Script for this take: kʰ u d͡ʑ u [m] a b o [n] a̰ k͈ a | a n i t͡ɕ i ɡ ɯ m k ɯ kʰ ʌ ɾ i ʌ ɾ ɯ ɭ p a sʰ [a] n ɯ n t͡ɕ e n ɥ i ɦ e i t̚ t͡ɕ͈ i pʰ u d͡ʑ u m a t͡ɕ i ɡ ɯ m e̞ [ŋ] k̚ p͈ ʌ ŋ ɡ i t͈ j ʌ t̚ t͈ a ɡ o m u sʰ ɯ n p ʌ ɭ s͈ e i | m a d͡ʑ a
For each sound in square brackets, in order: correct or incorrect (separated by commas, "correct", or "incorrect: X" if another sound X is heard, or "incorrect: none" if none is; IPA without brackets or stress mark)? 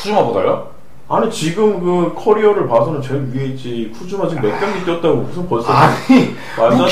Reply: correct, incorrect: d, incorrect: ʌ, incorrect: none